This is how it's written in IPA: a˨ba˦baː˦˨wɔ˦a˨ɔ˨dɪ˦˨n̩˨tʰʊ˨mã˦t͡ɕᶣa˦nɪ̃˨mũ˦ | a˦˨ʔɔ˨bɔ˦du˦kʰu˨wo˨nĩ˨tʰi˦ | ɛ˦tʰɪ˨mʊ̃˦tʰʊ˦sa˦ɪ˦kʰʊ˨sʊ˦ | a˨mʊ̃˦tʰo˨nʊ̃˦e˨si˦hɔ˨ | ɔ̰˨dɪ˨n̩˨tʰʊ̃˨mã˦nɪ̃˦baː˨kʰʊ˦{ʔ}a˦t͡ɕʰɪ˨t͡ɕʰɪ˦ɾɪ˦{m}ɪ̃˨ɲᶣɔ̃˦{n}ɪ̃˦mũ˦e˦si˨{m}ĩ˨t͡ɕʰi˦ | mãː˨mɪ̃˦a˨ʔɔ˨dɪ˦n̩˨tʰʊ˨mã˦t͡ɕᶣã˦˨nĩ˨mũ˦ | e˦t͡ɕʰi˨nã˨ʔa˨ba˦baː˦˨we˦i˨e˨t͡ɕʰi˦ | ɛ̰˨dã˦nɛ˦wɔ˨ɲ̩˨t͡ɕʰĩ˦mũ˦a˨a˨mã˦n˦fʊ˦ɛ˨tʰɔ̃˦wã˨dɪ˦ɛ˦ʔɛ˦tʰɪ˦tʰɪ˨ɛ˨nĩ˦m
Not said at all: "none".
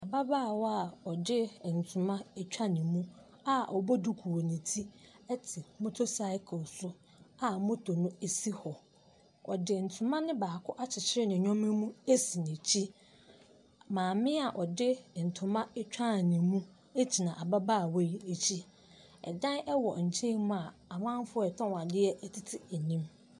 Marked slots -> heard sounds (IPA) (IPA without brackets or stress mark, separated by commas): ʔ, n, m, n